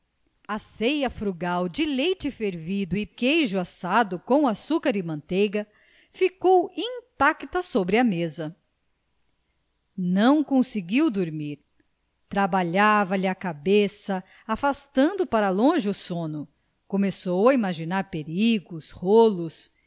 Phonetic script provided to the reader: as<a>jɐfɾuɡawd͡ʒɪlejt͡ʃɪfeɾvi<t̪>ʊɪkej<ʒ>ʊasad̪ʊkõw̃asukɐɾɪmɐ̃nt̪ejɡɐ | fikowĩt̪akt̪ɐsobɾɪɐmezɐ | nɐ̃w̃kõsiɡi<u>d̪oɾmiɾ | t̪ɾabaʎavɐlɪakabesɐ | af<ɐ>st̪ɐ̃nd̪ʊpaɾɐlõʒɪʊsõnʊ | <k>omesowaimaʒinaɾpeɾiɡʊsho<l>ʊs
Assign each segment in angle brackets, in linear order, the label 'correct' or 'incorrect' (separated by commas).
incorrect, incorrect, correct, incorrect, incorrect, correct, correct